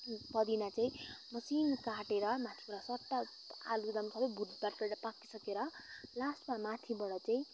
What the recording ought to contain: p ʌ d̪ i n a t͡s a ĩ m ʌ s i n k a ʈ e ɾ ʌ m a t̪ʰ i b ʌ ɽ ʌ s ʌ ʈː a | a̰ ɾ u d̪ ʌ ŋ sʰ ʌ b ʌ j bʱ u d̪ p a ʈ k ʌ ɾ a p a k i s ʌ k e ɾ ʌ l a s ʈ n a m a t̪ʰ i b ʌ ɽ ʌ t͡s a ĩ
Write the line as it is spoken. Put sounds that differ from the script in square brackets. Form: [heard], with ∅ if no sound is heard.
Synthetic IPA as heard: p ʌ d̪ i n a t͡s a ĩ m ʌ s i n k a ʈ e ɾ ʌ m a t̪ʰ i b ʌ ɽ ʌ s ʌ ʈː a | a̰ [l] u d̪ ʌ [m] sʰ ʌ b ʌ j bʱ u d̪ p a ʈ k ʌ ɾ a p a k i s ʌ k e ɾ ʌ l a s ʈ [m] a m a t̪ʰ i b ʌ ɽ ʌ t͡s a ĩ

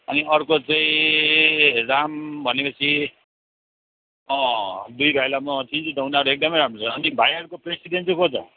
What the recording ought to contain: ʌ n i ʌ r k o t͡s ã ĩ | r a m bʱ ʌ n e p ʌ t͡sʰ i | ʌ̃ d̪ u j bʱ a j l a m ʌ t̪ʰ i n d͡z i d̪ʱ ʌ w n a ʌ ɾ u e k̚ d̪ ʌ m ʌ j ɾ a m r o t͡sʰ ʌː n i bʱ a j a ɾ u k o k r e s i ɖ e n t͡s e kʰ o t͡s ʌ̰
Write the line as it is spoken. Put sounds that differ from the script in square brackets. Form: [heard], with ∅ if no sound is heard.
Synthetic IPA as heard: ʌ n i ʌ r k o t͡s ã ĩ | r a m bʱ ʌ n e p ʌ t͡sʰ i | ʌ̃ d̪ u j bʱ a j l a m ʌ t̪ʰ i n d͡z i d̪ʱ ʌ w n a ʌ ɾ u e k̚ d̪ ʌ m ʌ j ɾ a m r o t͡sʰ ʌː n i bʱ a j [ʌ] ɾ u k o [p] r e s i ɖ e n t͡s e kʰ o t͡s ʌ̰

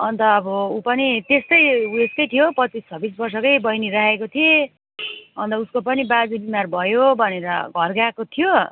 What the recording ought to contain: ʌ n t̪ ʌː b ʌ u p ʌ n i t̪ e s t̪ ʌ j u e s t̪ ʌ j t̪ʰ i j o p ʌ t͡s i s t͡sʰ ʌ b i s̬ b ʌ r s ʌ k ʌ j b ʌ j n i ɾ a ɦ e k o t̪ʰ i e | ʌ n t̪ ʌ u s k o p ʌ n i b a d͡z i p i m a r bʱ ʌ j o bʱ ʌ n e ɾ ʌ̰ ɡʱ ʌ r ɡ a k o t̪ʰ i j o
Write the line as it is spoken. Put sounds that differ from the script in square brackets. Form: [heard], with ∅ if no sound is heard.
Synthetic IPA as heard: ʌ n t̪ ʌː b ʌ u p ʌ n i t̪ e s t̪ ʌ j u e s t̪ ʌ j t̪ʰ i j o p ʌ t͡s i s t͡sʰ ʌ b i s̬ b ʌ r s ʌ k ʌ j b ʌ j n i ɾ a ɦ e k o t̪ʰ i e | ʌ n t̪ ʌ u s k o p ʌ n i b a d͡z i [b] i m a r bʱ ʌ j o bʱ ʌ n e ɾ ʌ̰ ɡʱ ʌ r ɡ a k o t̪ʰ i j o

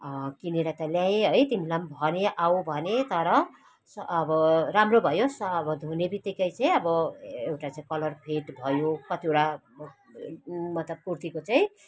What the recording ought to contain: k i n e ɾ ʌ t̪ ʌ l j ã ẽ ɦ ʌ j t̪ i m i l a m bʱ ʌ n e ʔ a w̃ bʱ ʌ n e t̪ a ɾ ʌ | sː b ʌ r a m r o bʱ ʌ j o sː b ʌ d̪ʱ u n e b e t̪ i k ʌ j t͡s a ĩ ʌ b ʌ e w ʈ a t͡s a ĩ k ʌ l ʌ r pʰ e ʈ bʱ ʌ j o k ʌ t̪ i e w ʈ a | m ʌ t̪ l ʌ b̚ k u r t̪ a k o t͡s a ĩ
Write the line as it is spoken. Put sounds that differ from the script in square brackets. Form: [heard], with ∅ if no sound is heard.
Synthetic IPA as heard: k i n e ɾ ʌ t̪ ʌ l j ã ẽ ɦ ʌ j t̪ i m i l a m bʱ ʌ n e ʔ a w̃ bʱ ʌ n e t̪ [ʌ] ɾ ʌ | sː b ʌ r a m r o bʱ ʌ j o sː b ʌ d̪ʱ u n e b [i] t̪ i k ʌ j t͡s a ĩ ʌ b ʌ e w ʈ a t͡s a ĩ k ʌ l ʌ r pʰ e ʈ bʱ ʌ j o k ʌ t̪ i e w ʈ a | m ʌ t̪ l ʌ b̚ k u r t̪ [i] k o t͡s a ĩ

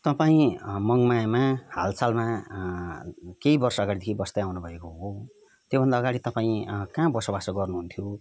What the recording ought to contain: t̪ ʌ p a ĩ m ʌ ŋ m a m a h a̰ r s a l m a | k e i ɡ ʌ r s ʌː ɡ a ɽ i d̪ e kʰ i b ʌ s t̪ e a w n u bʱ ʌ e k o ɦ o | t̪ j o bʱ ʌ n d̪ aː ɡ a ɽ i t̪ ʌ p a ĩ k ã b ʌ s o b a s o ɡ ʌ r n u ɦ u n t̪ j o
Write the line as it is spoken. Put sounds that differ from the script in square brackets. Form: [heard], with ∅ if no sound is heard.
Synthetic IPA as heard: t̪ ʌ p a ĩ m ʌ ŋ m a m a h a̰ [l] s a l m a | k e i [b] ʌ r s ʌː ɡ a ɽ i d̪ e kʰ i b ʌ s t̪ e a w n u bʱ ʌ e k o ɦ o | t̪ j o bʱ ʌ n d̪ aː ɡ a ɽ i t̪ ʌ p a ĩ k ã b ʌ s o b a s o ɡ ʌ r n u ɦ u n [t̪ʰ] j o

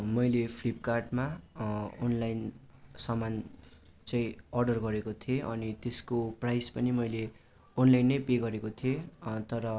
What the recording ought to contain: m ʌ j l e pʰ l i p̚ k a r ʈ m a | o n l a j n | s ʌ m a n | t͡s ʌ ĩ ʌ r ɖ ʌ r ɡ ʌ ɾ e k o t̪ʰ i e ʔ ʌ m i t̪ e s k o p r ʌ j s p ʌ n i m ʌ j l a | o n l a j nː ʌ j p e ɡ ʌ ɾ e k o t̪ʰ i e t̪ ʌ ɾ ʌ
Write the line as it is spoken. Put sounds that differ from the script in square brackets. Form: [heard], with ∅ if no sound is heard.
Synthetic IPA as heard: m ʌ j l e pʰ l i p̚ k a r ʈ m a | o n l a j n | s ʌ m a n | t͡s ʌ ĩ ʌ r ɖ ʌ r ɡ ʌ ɾ e k o t̪ʰ i e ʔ ʌ [n] i t̪ e s k o p r [a] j s p ʌ n i m ʌ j l [e] | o n l a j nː ʌ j p e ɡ ʌ ɾ e k o t̪ʰ i e t̪ ʌ ɾ ʌ

